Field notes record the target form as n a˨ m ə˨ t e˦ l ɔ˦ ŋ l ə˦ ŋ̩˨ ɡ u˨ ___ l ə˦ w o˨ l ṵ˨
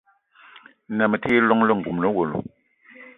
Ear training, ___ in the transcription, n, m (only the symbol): m